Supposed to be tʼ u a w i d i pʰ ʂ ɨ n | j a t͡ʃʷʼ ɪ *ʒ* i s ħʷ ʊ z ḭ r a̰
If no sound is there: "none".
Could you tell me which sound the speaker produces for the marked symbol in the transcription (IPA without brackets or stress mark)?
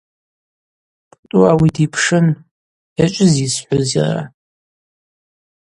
z